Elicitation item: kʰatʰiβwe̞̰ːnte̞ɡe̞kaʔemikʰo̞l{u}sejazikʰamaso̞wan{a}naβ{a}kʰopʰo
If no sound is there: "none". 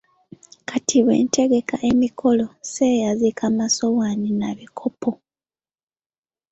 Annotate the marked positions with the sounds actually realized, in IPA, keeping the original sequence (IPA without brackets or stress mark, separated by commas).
o, i, i